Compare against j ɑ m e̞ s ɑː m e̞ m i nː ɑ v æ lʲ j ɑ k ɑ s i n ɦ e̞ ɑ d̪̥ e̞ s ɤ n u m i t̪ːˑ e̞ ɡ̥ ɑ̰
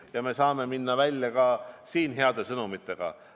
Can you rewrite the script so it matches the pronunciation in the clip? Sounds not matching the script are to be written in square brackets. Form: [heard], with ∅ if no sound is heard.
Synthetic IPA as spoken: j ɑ m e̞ s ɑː m e̞ m i nː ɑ v æ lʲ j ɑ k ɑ s [iː] n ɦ e̞ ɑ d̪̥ e̞ s ɤ n u m i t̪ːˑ e̞ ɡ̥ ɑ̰